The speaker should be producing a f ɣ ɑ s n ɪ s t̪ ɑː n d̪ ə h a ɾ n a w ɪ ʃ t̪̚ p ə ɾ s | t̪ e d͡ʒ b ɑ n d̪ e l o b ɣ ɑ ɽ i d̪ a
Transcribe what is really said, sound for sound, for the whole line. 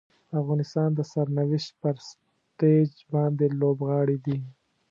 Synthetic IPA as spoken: a f ɣ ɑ n ɪ s t̪ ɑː n d̪ ə s a ɾ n a w ɪ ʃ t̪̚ p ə ɾ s | t̪ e d͡ʒ b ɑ n d̪ e l o b ɣ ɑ ɽ i d̪ i